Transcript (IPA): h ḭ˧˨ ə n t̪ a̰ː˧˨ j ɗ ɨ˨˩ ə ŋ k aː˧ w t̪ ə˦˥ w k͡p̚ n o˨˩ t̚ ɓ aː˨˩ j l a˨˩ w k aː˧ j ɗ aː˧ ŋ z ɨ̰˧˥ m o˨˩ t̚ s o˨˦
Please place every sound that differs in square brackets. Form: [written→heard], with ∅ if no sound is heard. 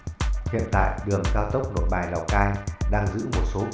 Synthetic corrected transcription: h ḭ˧˨ ə n t̪ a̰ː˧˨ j ɗ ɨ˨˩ ə ŋ k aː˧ w t̪ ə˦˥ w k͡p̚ n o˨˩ t̚ ɓ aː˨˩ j l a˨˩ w k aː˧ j ɗ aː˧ ŋ z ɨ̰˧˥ m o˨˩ t̚ s o˨˦

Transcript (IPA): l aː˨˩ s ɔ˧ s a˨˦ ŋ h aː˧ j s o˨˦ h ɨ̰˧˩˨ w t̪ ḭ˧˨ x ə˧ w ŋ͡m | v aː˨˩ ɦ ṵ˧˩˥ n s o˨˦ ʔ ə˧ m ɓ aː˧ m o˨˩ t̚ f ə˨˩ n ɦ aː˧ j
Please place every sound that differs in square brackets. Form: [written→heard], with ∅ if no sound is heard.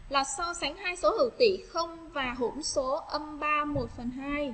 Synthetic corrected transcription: l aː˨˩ s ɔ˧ s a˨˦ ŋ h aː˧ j s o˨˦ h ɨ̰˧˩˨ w t̪ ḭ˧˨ x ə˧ w ŋ͡m | v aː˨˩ ɦ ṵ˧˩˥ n s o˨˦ ʔ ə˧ m ɓ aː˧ m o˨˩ t̚ f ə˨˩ n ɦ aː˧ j

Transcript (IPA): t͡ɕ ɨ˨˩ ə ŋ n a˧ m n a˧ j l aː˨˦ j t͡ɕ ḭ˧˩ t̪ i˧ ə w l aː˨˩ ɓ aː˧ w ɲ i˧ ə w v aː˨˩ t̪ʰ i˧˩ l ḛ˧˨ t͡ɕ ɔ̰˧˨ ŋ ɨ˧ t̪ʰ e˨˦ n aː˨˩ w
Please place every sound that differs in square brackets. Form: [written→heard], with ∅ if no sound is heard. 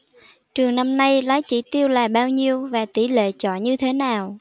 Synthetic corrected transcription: t͡ɕ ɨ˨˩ ə ŋ n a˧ m n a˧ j l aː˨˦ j t͡ɕ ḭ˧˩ t̪ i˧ ə w l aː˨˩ ɓ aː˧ w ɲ i˧ ə w v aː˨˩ [t̪ʰ→t̪] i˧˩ l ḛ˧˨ t͡ɕ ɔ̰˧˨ [ŋ→ɲ] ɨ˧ t̪ʰ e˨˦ n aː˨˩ w

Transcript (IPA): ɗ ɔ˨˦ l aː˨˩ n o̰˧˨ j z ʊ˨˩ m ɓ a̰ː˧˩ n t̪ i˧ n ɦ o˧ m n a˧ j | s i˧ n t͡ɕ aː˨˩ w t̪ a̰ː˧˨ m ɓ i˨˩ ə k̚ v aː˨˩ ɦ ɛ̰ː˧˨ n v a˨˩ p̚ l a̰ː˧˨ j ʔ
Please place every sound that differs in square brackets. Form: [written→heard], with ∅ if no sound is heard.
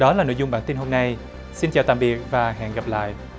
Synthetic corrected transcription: ɗ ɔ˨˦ l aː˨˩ n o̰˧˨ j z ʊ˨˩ [m→ŋ͡m] ɓ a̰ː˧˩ n t̪ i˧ n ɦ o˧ m n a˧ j | s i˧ n t͡ɕ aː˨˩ w t̪ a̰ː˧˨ m ɓ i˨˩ ə k̚ v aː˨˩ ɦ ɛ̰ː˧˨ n [v→ɣ] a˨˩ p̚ l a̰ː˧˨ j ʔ

